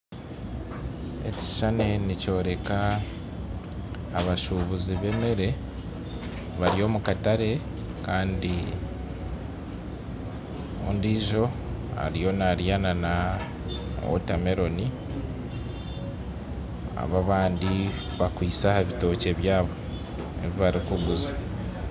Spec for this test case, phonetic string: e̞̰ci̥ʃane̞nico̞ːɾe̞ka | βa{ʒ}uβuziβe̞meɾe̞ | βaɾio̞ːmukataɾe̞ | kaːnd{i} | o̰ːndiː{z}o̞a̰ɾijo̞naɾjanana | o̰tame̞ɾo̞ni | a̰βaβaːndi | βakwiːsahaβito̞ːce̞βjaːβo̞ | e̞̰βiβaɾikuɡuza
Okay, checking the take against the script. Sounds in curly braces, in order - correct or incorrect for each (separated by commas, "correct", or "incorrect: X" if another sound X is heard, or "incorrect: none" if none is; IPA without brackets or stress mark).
incorrect: ʃ, correct, incorrect: ʒ